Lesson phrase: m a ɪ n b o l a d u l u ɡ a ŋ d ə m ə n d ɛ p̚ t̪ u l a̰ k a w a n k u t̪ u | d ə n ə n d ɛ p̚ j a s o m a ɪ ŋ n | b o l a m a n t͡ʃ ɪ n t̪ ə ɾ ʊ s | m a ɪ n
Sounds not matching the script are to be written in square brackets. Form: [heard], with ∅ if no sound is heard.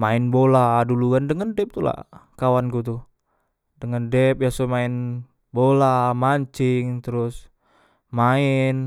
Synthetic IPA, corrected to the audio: m a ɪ n b o l a d u l u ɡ a [n] d ə [ŋ] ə n d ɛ p̚ t̪ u l a̰ k a w a n k u t̪ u | d ə [ŋ] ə n d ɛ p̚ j a s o m a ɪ [∅] n | b o l a m a [ɲ] t͡ʃ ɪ [ŋ] t̪ ə ɾ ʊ s | m a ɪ n